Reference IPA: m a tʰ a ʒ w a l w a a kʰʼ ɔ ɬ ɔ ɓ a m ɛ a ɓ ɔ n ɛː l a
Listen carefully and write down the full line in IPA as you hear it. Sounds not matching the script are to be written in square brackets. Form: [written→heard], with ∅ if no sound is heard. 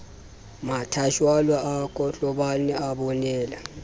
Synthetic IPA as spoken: m a tʰ a [ʒ→ʃ] w a l w a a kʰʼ ɔ ɬ ɔ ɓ a [m→n] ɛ a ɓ ɔ n ɛː l a